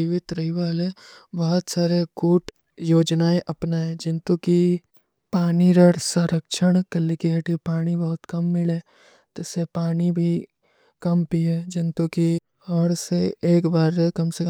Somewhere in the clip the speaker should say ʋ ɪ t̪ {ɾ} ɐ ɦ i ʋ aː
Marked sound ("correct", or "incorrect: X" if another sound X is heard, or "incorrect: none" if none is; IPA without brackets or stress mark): correct